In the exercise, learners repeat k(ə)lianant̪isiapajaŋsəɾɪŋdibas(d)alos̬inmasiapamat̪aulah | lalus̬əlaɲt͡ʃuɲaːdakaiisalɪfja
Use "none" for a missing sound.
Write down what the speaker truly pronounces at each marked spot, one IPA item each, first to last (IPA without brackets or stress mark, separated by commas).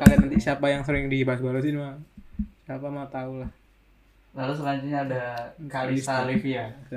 a, b